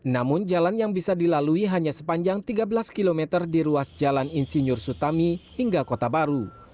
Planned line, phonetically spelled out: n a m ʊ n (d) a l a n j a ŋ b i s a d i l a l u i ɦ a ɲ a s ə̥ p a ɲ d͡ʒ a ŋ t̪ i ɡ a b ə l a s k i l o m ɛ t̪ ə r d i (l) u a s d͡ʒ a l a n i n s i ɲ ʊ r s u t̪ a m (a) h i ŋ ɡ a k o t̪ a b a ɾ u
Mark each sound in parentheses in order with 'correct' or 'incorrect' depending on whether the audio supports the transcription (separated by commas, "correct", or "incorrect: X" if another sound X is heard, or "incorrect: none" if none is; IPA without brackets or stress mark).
incorrect: d͡ʒ, incorrect: ɾ, incorrect: i